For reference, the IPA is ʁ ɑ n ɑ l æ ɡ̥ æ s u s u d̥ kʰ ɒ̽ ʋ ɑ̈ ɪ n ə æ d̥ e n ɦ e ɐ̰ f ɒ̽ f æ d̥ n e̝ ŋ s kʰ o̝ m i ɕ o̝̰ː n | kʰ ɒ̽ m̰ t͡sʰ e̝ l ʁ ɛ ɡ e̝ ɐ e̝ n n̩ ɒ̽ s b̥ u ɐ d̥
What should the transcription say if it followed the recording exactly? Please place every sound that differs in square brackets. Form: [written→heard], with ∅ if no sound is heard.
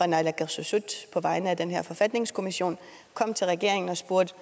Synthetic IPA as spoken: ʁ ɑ n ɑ l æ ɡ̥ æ s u s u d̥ [kʰ→pʰ] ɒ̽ ʋ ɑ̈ ɪ n ə æ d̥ e n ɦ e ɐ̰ f ɒ̽ f æ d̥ n e̝ ŋ s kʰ o̝ m i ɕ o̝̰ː n | kʰ ɒ̽ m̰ t͡sʰ e̝ l ʁ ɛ ɡ e̝ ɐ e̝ [n→ŋ] n̩ ɒ̽ s b̥ u ɐ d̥